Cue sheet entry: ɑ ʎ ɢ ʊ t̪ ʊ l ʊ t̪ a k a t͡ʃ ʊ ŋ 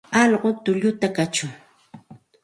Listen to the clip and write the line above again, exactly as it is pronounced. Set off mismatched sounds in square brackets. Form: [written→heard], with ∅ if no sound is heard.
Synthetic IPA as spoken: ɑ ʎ ɢ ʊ t̪ ʊ [l→ʎ] ʊ t̪ a k a t͡ʃ ʊ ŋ